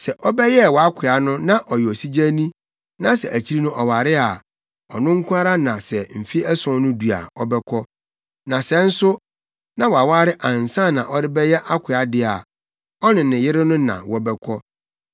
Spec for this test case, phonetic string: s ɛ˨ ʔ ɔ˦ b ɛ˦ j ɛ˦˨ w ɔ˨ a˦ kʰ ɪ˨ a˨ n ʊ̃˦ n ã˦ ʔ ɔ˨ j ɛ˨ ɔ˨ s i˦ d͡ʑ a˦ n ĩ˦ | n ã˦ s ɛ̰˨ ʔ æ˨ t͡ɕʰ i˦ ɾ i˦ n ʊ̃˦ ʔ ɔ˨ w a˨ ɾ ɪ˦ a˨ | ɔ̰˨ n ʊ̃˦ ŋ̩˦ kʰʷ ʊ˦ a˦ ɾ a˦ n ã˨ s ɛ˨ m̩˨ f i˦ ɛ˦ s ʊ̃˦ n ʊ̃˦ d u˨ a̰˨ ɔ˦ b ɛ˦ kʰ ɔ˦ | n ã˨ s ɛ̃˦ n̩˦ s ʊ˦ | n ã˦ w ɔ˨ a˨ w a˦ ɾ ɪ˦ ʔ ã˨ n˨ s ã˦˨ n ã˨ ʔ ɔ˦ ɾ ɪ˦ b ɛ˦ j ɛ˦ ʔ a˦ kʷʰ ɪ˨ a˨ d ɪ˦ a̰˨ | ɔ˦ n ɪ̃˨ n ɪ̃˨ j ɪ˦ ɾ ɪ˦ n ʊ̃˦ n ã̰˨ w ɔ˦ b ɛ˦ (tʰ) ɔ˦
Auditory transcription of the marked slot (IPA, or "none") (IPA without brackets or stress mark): kʰ